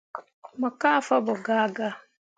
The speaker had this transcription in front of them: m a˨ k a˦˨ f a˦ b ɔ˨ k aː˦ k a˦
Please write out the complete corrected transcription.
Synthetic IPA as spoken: m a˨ k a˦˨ f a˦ b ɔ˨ ɡ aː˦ ɡ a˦